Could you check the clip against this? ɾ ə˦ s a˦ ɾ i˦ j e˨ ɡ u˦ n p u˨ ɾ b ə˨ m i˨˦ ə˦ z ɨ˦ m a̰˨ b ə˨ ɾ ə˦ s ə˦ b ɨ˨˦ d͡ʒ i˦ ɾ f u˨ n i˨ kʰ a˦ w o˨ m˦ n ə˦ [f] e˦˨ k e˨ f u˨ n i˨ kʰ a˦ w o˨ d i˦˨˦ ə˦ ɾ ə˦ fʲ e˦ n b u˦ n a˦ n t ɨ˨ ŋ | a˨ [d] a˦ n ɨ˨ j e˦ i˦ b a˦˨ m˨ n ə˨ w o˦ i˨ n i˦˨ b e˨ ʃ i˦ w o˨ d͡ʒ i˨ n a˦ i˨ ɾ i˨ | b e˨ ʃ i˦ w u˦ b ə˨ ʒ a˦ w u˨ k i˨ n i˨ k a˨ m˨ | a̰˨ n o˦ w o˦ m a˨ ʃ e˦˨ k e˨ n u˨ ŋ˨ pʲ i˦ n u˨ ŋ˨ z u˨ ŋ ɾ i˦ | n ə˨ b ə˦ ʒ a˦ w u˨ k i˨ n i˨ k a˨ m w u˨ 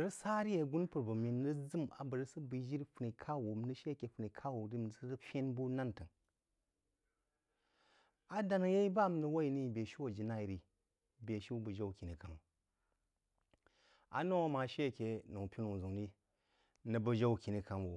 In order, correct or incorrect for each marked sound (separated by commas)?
incorrect, correct